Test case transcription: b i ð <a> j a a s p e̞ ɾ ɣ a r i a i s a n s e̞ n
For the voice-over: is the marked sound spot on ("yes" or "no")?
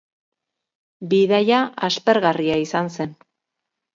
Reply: yes